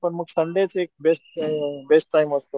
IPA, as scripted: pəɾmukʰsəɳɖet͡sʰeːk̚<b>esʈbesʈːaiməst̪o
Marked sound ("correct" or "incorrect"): correct